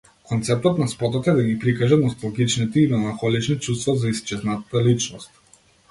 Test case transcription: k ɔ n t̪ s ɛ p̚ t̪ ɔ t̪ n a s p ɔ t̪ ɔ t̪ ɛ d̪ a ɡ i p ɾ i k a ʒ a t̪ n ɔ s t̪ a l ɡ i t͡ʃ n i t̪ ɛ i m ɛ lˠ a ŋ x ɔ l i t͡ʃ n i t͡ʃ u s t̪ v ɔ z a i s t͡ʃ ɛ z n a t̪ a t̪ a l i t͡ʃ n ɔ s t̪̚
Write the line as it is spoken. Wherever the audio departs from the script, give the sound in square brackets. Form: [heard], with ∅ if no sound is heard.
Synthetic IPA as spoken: k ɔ n t̪ s ɛ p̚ t̪ ɔ t̪ n a s p ɔ t̪ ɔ t̪ ɛ d̪ a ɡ i p ɾ i k a ʒ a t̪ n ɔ s t̪ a l ɡ i t͡ʃ n i t̪ ɛ i m ɛ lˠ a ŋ x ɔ l i t͡ʃ n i t͡ʃ u s t̪ v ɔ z a i s t͡ʃ ɛ z n a t̪ a t̪ a l i t͡ʃ n ɔ s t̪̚